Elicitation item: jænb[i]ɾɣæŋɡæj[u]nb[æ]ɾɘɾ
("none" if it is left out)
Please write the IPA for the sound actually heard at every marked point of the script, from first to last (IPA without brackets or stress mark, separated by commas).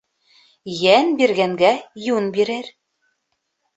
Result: i, u, i